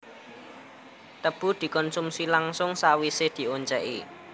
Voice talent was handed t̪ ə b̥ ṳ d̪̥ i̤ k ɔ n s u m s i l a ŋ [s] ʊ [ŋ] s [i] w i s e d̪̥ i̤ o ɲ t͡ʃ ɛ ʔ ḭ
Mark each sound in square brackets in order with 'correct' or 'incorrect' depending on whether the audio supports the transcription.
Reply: correct, correct, incorrect: a

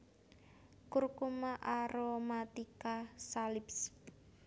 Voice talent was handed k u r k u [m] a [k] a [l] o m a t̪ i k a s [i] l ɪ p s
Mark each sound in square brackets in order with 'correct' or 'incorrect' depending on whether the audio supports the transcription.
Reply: correct, incorrect: ʔ, incorrect: ɾ, incorrect: a

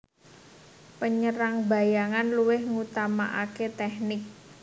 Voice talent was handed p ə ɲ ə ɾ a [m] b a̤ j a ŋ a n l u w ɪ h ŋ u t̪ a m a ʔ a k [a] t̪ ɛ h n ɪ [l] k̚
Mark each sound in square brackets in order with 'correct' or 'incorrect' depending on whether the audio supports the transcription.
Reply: incorrect: ŋ, incorrect: e, incorrect: none

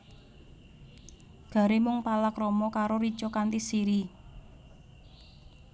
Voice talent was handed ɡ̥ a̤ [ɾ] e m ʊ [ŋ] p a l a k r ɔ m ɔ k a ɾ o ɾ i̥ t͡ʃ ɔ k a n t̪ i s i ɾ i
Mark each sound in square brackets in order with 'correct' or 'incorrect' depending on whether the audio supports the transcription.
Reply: correct, correct

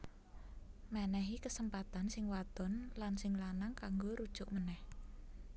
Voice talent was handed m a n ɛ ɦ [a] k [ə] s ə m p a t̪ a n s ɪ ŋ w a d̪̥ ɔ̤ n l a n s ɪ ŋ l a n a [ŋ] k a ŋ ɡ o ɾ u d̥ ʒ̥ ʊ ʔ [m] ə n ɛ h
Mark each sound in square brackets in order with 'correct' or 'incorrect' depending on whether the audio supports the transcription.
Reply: incorrect: i, correct, correct, correct

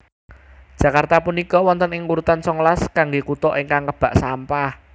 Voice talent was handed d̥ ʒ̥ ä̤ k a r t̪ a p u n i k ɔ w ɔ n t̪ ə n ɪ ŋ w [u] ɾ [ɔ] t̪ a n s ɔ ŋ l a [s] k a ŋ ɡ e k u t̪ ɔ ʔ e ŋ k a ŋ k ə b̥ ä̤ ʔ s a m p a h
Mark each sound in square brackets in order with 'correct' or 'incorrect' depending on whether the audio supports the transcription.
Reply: correct, incorrect: u, correct

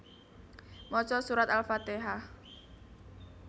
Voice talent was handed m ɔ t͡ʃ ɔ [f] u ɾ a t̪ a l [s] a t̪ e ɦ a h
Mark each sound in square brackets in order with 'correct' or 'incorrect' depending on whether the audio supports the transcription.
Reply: incorrect: s, incorrect: f

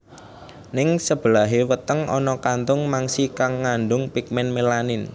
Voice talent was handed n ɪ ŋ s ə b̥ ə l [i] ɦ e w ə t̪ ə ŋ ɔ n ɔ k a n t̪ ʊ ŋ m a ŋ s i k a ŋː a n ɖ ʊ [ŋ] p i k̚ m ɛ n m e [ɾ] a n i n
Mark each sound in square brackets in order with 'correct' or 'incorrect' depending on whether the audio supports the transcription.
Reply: incorrect: a, correct, incorrect: l

